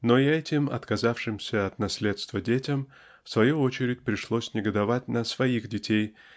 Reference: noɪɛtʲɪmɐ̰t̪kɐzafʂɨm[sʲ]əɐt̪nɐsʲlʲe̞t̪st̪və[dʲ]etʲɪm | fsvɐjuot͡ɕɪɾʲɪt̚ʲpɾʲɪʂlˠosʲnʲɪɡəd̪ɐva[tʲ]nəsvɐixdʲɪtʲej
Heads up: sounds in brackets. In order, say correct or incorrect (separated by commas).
correct, correct, correct